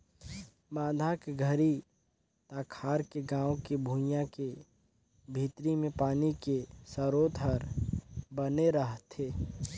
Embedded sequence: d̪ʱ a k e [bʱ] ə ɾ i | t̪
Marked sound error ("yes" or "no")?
yes